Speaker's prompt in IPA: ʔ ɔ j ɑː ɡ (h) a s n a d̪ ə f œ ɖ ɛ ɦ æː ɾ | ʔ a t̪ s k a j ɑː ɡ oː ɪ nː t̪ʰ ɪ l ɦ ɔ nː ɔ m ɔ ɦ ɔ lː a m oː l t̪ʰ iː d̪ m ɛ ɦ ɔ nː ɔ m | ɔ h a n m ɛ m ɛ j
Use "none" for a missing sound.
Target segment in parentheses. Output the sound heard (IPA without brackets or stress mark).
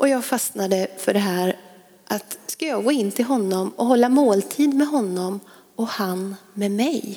f